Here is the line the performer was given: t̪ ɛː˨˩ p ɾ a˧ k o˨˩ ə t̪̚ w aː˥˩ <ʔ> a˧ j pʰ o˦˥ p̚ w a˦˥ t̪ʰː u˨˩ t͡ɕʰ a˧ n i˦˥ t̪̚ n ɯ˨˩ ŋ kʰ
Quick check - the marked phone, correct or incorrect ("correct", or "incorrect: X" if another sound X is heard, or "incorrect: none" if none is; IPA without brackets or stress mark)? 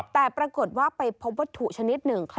incorrect: p